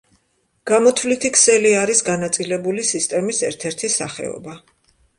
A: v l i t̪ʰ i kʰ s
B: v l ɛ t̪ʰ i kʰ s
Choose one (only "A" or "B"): A